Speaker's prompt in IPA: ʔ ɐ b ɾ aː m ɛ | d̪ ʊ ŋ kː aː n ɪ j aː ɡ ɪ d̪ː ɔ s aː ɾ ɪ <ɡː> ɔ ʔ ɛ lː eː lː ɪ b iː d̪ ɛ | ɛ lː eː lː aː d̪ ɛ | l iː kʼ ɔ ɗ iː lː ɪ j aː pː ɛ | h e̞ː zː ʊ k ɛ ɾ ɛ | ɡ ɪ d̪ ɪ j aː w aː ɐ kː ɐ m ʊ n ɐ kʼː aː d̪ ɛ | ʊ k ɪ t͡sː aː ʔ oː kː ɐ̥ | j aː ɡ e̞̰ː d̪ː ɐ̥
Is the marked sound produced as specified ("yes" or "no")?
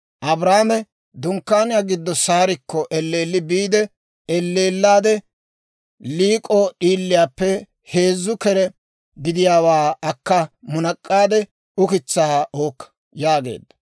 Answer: no